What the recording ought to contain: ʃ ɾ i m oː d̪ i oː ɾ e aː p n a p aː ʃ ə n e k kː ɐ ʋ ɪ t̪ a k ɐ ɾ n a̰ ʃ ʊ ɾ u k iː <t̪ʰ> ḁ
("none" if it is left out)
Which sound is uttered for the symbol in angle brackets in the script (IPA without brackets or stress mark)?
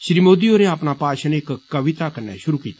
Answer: t̪